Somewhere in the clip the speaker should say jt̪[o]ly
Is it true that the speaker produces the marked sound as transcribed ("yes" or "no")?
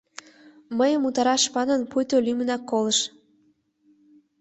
yes